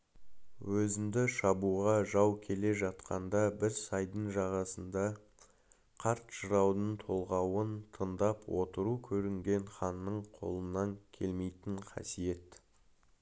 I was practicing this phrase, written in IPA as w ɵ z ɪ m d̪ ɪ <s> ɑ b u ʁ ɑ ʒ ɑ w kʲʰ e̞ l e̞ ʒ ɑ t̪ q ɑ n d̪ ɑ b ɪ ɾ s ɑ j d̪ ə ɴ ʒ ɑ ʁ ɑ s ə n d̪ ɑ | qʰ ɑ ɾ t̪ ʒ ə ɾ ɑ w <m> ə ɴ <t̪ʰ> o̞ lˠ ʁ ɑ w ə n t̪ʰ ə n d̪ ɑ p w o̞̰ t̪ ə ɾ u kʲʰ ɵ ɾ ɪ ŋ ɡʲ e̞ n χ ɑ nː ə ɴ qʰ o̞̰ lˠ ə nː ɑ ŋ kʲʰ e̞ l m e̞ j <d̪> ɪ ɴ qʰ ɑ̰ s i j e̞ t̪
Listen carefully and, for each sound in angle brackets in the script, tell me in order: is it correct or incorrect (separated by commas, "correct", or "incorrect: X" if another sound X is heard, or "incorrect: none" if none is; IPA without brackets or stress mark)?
incorrect: ʃ, incorrect: n, correct, incorrect: t̪